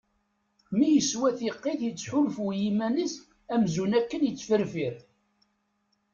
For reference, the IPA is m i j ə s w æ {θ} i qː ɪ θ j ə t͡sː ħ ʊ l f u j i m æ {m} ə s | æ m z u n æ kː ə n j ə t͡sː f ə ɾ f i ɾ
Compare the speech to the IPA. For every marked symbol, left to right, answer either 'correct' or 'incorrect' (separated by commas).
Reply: correct, incorrect